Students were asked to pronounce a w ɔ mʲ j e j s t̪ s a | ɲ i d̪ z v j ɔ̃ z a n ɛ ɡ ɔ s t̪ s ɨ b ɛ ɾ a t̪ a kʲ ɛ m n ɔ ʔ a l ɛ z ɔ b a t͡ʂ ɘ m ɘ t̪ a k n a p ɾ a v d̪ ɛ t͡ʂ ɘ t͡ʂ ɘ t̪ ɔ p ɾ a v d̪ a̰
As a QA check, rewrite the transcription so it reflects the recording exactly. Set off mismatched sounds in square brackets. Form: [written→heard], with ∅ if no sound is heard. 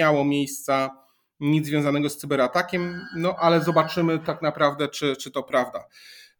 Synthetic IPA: a w ɔ mʲ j e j s t̪ s a | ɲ i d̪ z v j ɔ̃ z a n ɛ ɡ ɔ s t̪ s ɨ b ɛ ɾ a t̪ a kʲ ɛ m n ɔ ʔ a l ɛ z ɔ b a t͡ʂ ɘ m ɘ t̪ a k n a p ɾ a v d̪ ɛ t͡ʂ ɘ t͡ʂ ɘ t̪ ɔ p ɾ a v d̪ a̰